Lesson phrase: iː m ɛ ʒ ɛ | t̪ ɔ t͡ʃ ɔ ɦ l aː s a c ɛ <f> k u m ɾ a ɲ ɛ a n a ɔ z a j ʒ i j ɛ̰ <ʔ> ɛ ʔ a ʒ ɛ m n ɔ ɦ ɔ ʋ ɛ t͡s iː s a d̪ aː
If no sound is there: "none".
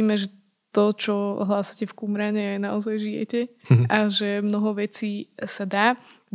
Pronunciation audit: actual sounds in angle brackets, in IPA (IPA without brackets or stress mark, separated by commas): f, c